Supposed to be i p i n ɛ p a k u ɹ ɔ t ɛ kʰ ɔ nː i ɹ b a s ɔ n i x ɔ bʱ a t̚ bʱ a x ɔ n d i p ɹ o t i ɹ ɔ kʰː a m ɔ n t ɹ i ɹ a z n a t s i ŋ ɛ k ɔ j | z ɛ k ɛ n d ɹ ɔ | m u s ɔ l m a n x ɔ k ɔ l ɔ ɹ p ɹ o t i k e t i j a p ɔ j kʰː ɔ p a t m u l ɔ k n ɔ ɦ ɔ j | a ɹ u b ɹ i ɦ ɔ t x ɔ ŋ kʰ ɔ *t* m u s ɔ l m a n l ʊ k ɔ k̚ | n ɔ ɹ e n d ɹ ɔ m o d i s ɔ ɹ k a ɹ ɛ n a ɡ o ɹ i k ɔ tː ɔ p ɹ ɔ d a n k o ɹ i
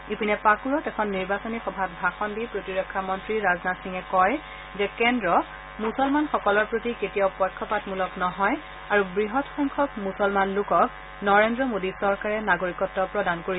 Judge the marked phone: incorrect: k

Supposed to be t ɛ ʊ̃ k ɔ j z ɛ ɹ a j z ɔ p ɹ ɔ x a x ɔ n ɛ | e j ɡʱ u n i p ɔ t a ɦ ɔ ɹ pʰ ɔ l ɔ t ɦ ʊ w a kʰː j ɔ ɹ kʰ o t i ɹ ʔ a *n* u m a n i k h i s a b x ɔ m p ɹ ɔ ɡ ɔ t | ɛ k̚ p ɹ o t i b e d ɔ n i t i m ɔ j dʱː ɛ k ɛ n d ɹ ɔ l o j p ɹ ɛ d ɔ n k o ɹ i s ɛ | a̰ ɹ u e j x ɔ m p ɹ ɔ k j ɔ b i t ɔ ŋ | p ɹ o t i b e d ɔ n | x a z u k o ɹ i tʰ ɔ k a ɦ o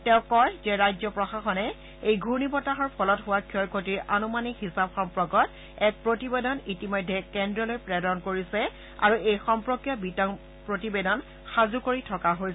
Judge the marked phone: correct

